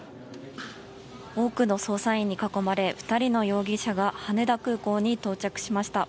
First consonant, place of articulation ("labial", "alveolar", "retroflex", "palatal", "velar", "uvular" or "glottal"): velar